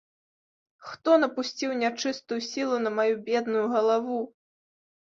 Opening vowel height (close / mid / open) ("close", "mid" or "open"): mid